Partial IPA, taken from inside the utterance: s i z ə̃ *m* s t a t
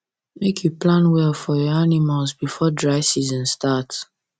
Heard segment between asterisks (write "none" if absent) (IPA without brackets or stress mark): n